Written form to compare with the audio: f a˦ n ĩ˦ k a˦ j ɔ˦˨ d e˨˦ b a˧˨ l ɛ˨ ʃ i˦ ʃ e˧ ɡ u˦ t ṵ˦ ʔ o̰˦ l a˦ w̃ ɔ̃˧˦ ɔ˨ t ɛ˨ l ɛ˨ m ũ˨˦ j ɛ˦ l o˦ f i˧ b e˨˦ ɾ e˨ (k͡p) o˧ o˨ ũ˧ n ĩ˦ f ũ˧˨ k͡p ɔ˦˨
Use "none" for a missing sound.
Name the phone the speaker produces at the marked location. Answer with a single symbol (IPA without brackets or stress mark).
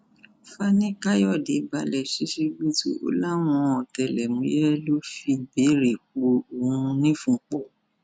k͡p